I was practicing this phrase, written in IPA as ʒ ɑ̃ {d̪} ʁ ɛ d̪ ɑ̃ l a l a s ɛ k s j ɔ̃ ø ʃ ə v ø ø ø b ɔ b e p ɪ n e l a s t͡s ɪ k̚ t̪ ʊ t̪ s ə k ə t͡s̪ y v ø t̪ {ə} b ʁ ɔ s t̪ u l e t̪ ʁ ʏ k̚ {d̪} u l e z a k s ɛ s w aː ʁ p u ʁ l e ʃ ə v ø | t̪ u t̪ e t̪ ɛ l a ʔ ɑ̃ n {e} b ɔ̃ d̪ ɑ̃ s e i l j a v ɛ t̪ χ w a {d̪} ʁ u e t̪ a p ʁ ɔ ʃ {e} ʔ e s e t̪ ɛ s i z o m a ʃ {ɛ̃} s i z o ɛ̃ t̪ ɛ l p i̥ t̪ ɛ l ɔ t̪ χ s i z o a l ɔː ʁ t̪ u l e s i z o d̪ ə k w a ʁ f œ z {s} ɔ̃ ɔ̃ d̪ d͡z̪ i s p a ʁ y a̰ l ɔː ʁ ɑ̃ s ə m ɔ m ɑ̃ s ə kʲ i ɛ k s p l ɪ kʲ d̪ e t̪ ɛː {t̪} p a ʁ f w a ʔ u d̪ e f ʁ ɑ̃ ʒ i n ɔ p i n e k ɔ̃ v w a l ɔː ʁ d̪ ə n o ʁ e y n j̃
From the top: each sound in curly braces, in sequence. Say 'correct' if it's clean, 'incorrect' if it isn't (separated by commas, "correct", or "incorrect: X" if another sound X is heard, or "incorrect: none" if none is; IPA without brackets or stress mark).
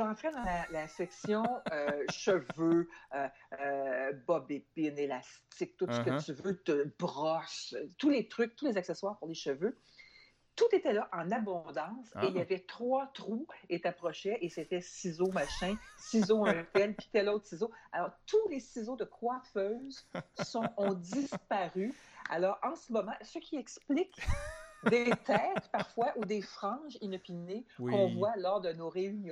incorrect: t̪, correct, incorrect: t̪, incorrect: a, incorrect: t̪, incorrect: ɛ, correct, correct, correct